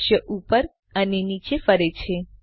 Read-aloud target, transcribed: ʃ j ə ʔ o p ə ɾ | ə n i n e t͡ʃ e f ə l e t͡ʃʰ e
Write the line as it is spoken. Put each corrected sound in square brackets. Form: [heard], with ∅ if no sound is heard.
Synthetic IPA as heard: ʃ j ə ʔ [u] p ə ɾ | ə n [e] n [i] t͡ʃ e f ə [ɾ] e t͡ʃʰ e